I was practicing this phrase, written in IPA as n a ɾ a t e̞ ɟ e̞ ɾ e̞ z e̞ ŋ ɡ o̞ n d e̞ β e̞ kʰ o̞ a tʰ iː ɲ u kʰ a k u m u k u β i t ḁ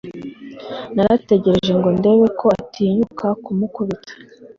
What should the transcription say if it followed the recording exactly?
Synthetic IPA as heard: n a ɾ a t e̞ ɟ e̞ ɾ e̞ ʒ e̞ ŋ ɡ o̞ n d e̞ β e̞ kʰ o̞ a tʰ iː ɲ u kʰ a k u m u k u β i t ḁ